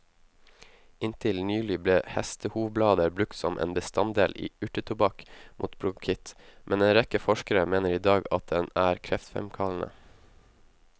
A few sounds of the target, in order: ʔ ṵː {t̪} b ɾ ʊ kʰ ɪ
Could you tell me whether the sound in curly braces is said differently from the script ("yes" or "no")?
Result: no